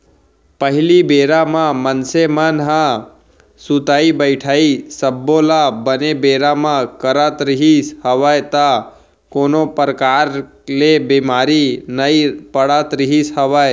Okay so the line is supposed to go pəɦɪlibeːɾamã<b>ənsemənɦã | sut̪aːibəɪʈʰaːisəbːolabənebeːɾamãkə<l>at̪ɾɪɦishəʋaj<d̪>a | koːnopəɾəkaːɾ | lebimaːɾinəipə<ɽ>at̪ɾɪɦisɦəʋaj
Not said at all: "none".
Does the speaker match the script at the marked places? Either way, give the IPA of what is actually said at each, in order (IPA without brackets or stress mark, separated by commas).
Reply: m, ɾ, t̪, ɽ